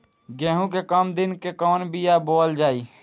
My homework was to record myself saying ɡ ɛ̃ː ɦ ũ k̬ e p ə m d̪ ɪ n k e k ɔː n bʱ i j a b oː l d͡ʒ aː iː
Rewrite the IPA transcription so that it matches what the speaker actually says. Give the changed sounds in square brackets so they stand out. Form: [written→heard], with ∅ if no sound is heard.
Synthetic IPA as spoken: ɡ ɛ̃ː ɦ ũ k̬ e [p→k] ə m d̪ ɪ n k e k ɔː n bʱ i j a b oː l d͡ʒ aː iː